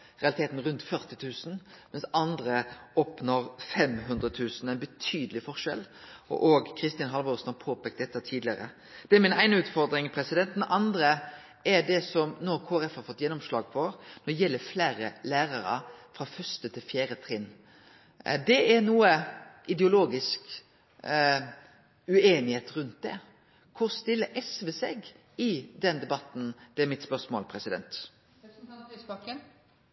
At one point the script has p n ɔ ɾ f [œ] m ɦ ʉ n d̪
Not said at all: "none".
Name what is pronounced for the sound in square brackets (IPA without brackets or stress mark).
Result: ɛ